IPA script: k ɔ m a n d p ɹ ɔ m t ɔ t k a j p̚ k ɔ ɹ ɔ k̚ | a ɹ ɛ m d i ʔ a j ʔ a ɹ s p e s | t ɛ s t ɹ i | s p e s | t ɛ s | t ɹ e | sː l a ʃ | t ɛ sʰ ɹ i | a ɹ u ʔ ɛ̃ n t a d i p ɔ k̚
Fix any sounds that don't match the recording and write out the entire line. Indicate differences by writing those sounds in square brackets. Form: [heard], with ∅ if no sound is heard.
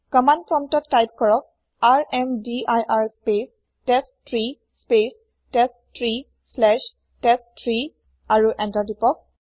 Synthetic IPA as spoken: k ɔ m a n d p ɹ ɔ m t ɔ t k a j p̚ k ɔ ɹ ɔ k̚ | a ɹ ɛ m d i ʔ a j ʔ a ɹ s p e s | t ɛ s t ɹ i | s p e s | t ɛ s | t ɹ [i] | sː l [ɛ] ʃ | t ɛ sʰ ɹ i | a ɹ u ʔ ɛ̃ n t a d i p ɔ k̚